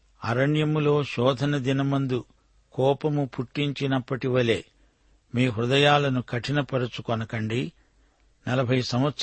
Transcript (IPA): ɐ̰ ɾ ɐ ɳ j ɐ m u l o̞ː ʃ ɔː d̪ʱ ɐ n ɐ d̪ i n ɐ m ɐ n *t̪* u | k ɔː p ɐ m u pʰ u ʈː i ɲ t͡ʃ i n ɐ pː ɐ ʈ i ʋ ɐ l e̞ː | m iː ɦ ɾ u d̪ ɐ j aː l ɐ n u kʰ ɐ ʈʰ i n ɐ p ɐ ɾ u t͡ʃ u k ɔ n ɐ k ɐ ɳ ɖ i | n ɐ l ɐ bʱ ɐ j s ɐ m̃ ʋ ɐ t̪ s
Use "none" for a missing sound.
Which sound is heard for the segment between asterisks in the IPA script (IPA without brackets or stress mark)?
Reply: d̪